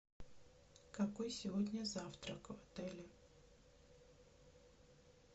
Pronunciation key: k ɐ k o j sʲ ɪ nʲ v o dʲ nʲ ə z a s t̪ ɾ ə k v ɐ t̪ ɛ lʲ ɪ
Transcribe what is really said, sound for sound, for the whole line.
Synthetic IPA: k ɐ k o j sʲ ɪ v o dʲ nʲ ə z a f t̪ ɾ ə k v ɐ t̪ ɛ lʲ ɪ